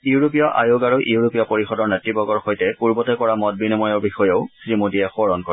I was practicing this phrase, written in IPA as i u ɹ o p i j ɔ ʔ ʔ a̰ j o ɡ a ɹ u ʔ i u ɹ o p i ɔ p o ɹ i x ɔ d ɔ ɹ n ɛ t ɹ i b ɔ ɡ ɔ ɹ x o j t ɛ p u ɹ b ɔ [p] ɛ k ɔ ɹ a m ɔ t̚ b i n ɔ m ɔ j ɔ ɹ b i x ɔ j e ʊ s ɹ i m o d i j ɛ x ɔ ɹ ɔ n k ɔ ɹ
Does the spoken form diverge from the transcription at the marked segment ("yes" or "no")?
yes